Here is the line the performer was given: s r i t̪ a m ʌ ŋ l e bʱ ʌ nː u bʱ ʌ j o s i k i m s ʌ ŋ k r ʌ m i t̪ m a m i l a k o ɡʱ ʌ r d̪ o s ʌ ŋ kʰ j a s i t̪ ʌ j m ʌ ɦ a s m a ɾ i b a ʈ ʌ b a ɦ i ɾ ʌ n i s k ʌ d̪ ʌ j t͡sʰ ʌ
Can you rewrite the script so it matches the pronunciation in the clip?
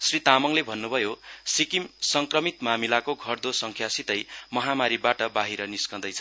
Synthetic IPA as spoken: s r i t̪ a m ʌ ŋ l e bʱ ʌ nː u bʱ ʌ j o s i k i m s ʌ ŋ k r ʌ m i t̪ m a m i l a k o ɡʱ ʌ r d̪ o s ʌ ŋ kʰ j a s i t̪ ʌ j m ʌ ɦ a m a ɾ i b a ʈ ʌ b a ɦ i ɾ ʌ n i s k ʌ d̪ ʌ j t͡sʰ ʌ

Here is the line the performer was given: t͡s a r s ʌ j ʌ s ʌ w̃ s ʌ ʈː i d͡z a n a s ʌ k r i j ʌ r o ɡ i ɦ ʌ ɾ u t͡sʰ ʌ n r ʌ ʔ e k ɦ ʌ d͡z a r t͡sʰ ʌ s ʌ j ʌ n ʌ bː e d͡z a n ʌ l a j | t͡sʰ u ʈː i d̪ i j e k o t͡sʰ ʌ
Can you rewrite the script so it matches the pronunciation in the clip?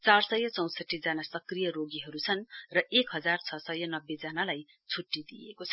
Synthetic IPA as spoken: t͡s a r s ʌ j ʌ t͡s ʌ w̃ s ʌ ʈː i d͡z a n a s ʌ k r i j ʌ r o ɡ i ɦ ʌ ɾ u t͡sʰ ʌ n r ʌ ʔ e k ɦ ʌ d͡z a r t͡sʰ ʌ s ʌ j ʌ n ʌ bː e d͡z a n a l a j | t͡sʰ u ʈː i d̪ i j e k o t͡sʰ ʌ

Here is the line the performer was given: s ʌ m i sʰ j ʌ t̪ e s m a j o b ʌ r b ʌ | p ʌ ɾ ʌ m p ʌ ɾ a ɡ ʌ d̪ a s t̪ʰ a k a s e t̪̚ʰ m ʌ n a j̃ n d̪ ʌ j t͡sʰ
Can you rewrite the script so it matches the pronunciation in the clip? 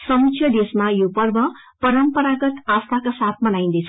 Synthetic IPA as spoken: s ʌ m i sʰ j ʌ d̪ e s m a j o p ʌ r b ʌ | p ʌ ɾ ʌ m p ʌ ɾ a ɡ ʌ t̪ a s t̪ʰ a k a s a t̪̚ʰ m ʌ n a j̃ n d̪ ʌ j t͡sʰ

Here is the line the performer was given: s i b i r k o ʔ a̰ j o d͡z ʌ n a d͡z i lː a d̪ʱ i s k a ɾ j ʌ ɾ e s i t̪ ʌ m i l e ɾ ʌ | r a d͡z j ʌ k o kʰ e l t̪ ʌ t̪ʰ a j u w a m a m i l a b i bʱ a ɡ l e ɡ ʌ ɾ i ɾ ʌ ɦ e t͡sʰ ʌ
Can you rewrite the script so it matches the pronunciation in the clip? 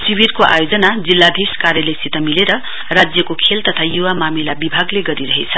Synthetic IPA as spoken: s i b i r k o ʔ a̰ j o d͡z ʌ n a d͡z i lː a d̪ʱ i s k a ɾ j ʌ l e s i t̪ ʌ m i l e ɾ ʌ | r a d͡z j ʌ k o kʰ e l t̪ ʌ t̪ʰ a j u w a m a m i l a b i bʱ a ɡ l e ɡ ʌ ɾ i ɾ ʌ ɦ e t͡sʰ ʌ

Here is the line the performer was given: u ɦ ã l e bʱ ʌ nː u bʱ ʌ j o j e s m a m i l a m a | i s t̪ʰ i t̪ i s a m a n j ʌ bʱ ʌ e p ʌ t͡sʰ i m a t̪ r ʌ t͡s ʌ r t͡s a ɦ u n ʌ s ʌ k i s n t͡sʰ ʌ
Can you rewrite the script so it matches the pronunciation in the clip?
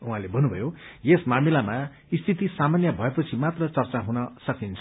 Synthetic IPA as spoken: u ɦ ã l e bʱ ʌ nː u bʱ ʌ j o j e s m a m i l a m a | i s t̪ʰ i t̪ i s a m a n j ʌ bʱ ʌ e p ʌ t͡sʰ i m a t̪ r ʌ t͡s ʌ r t͡s a ɦ u n ʌ s ʌ k i n t͡sʰ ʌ

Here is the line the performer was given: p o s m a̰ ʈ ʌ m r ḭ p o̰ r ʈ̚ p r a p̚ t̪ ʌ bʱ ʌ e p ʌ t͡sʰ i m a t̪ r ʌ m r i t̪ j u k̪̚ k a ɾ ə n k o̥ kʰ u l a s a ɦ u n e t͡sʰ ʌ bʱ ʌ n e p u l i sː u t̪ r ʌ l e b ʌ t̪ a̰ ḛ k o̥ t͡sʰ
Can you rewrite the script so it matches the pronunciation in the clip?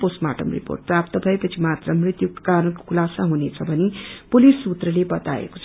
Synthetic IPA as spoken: p o s m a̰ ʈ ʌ m r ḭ p o̰ r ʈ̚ p r a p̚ t̪ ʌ bʱ ʌ e p ʌ t͡sʰ i m a t̪ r ʌ m r i t̪ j u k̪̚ k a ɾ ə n k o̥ kʰ u l a s a ɦ u n e t͡sʰ ʌ bʱ ʌ n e p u l i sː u t̪ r ʌ l e b ʌ t̪ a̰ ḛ k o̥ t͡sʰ

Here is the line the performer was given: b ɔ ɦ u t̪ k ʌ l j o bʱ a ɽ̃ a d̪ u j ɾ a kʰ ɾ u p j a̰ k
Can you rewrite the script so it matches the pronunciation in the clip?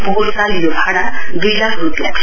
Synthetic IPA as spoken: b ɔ ɦ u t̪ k a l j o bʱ a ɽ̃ a d̪ u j l a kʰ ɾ u p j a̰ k

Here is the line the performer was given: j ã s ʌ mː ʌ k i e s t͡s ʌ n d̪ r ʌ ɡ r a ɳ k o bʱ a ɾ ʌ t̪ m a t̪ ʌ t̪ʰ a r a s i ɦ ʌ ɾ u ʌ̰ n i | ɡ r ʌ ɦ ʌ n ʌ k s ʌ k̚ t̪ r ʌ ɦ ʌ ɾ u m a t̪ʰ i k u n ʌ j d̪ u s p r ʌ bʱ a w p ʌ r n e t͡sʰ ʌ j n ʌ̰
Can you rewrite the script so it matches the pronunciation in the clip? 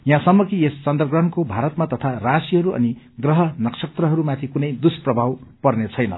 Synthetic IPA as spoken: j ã s ʌ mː ʌ k i e s t͡s ʌ n d̪ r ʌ ɡ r ʌ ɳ k o bʱ a ɾ ʌ t̪ m a t̪ ʌ t̪ʰ a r a s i ɦ ʌ ɾ u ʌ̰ n i | ɡ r ʌ ɦ ʌ n ʌ k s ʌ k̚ t̪ r ʌ ɦ ʌ ɾ u m a t̪ʰ i k u n ʌ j d̪ u s p r ʌ bʱ a w p ʌ r n e t͡sʰ ʌ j n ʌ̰

